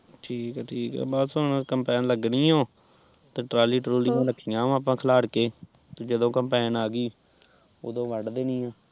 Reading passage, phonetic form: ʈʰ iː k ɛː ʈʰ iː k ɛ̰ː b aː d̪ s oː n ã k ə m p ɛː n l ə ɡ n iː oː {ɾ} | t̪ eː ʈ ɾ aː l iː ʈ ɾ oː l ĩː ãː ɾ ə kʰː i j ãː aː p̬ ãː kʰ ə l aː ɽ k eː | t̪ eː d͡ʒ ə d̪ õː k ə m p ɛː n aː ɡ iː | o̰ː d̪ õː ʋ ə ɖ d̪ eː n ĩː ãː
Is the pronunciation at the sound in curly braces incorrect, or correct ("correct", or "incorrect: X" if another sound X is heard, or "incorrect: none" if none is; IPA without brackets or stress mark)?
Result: incorrect: none